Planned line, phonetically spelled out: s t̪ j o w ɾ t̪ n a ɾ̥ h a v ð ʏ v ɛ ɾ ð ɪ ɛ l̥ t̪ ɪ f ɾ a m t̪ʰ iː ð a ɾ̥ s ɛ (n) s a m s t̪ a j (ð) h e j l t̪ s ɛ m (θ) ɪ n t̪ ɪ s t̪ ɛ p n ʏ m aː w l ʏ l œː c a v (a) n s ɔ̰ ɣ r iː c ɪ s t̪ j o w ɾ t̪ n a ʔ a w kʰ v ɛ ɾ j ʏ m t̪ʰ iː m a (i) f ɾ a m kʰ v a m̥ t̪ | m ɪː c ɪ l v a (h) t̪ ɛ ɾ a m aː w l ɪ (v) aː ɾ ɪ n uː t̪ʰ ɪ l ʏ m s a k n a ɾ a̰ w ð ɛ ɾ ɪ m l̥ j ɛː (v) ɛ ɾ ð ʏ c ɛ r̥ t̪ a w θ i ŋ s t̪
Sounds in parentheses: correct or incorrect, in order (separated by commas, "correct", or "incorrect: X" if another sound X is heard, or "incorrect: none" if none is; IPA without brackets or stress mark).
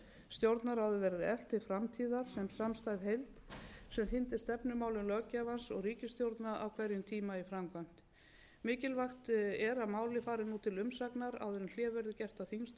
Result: incorrect: m, correct, correct, correct, correct, incorrect: x, incorrect: f, correct